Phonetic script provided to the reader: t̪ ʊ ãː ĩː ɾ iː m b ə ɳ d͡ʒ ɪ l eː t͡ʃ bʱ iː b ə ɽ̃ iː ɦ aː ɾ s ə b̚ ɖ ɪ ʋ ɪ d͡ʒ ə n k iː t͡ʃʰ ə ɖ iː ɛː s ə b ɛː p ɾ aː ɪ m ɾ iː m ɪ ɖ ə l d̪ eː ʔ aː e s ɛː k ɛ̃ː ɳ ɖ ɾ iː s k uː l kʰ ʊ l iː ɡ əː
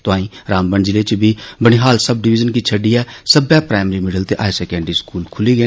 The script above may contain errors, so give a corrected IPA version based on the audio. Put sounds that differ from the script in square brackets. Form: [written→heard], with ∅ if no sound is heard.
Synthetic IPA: t̪ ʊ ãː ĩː ɾ [iː→aː] m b ə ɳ d͡ʒ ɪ l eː t͡ʃ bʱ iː b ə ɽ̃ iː ɦ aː [ɾ→l] s ə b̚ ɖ ɪ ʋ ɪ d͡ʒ ə n k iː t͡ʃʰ ə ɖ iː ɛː s ə b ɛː p ɾ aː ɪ m ɾ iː m ɪ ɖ ə l [d̪→t̪] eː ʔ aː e s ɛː k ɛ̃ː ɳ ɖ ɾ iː s k uː l kʰ ʊ l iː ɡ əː